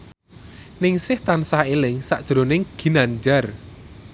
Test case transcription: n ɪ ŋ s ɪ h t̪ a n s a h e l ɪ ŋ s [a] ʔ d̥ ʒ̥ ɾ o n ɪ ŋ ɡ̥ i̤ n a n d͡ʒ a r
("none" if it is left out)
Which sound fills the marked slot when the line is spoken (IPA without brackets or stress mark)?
a